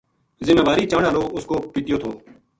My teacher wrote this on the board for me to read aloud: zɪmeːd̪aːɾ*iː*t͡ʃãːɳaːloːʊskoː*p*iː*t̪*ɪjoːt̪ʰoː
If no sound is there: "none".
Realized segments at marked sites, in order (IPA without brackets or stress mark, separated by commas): iː, p, t̪